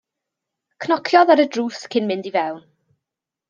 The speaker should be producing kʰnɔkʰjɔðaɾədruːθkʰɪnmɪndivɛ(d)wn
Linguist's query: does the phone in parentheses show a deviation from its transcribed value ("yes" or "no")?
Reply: yes